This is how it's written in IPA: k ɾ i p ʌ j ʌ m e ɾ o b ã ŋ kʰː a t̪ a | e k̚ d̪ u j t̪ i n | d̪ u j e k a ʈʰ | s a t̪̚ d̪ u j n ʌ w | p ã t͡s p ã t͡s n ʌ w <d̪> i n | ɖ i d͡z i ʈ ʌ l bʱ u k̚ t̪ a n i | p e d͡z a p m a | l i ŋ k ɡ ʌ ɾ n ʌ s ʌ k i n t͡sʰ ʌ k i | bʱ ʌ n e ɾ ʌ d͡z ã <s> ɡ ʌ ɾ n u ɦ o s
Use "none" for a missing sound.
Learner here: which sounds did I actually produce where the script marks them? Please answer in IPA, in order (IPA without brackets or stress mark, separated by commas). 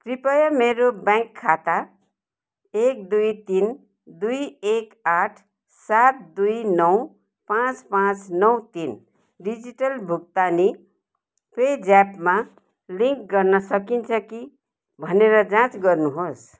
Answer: t̪, t͡s